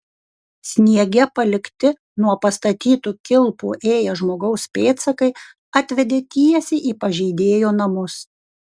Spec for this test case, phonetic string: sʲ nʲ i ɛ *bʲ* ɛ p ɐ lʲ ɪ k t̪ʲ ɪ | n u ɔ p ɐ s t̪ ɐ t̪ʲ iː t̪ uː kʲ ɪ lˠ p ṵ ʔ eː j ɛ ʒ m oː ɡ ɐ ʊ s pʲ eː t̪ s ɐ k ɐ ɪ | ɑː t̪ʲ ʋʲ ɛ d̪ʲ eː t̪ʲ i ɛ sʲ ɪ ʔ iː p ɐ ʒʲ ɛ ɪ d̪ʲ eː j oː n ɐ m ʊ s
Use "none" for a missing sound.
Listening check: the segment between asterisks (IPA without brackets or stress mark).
ɡʲ